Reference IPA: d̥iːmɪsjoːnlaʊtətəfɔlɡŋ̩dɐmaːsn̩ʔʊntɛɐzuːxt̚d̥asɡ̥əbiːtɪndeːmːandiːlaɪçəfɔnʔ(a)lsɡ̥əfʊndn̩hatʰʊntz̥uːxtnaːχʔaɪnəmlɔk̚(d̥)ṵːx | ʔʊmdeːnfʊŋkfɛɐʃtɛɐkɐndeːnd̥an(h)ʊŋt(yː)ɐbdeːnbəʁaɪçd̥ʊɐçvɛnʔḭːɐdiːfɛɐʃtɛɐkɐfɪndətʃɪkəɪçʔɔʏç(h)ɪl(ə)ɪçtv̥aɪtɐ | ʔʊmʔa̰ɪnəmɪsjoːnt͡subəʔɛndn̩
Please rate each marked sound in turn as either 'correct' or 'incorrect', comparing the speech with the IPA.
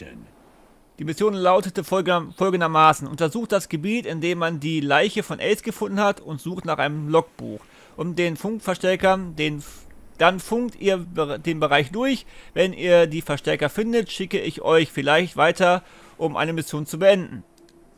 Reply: incorrect: ɛ, incorrect: b̥, incorrect: f, incorrect: iː, incorrect: f, incorrect: a

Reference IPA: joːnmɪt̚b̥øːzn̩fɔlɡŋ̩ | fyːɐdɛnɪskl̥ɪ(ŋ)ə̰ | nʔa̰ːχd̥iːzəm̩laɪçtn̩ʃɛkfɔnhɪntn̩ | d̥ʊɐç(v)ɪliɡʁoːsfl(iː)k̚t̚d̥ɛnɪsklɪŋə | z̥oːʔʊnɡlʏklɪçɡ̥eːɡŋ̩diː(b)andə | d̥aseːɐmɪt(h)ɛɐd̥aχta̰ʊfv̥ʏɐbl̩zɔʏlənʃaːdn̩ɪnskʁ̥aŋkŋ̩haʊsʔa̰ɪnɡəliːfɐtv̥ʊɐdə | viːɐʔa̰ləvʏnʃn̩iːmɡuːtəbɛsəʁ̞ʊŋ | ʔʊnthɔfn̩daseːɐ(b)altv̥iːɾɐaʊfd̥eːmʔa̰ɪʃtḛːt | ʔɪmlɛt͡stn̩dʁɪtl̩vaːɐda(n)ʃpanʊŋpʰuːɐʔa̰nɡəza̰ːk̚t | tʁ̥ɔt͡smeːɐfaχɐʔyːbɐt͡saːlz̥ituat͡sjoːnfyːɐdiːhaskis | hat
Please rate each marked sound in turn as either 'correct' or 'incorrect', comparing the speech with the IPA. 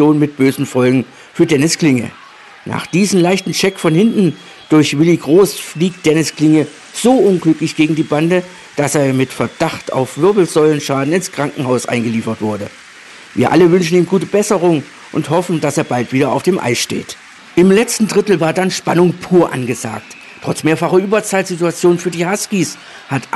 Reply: correct, correct, correct, correct, incorrect: f, correct, correct

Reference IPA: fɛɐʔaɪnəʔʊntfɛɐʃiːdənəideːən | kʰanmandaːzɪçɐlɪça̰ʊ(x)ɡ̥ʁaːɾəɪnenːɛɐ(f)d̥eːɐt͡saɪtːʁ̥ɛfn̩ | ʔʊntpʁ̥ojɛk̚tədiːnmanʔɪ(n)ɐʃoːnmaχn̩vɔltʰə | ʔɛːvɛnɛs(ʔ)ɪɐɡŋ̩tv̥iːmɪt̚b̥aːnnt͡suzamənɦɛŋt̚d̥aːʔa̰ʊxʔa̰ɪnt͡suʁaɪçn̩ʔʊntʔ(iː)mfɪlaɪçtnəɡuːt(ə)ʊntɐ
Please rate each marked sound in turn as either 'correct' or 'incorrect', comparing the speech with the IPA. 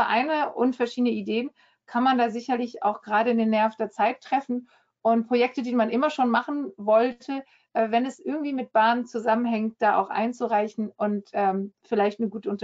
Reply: correct, correct, incorrect: m, correct, incorrect: ɛː, correct

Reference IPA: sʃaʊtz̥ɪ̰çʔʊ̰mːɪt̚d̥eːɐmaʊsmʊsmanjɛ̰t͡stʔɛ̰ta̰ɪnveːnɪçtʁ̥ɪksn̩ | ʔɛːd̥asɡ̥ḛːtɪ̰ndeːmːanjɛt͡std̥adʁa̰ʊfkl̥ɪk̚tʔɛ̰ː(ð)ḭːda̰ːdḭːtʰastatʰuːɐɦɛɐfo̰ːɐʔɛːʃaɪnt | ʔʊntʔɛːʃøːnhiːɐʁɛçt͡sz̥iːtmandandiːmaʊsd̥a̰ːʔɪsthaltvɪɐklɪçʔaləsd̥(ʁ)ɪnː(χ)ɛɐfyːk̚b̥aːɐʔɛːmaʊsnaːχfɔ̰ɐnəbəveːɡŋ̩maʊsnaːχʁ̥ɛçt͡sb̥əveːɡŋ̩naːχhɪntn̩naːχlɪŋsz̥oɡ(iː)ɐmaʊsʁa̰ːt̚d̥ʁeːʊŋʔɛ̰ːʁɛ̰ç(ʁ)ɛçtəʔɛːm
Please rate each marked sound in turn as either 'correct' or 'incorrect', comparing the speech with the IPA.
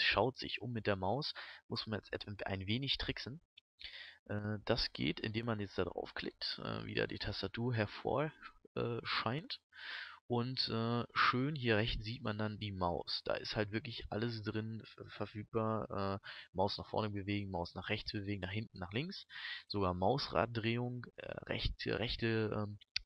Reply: incorrect: v, correct, incorrect: f, incorrect: aː, correct

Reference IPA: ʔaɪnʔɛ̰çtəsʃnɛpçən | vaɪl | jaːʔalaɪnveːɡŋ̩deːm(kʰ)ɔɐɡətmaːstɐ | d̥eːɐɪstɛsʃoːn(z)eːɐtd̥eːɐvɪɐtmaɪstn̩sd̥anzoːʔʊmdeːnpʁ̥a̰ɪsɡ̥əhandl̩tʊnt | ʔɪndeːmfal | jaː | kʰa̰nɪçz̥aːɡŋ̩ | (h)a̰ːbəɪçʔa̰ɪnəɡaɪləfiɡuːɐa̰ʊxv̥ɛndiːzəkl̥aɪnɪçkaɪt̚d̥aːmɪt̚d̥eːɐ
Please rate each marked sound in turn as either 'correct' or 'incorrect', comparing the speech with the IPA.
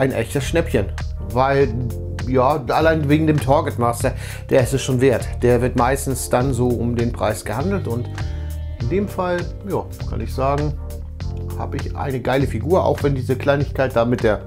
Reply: incorrect: tʰ, incorrect: v, correct

